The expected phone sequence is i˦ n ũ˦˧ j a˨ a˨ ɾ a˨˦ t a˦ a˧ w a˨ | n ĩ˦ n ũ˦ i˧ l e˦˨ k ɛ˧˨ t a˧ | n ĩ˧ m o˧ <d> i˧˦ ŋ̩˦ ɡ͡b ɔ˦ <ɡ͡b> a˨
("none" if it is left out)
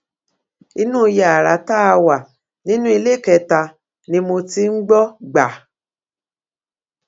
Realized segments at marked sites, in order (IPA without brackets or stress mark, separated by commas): t, ɡ͡b